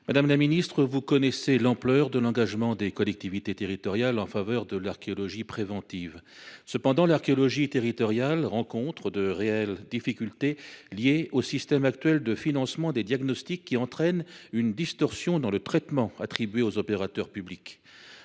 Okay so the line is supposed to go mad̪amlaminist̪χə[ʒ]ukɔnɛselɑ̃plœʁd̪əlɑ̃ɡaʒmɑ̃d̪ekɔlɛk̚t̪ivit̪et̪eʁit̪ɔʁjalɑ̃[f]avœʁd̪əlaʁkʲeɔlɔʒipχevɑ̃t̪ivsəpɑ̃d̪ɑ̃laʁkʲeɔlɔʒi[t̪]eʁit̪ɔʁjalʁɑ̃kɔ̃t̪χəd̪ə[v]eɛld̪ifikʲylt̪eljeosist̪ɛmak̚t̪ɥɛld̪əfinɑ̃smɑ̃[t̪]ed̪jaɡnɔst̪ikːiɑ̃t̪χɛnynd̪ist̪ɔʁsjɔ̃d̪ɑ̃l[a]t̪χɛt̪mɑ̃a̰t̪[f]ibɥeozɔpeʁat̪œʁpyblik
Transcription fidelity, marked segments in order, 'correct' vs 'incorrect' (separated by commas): incorrect, correct, correct, incorrect, incorrect, incorrect, incorrect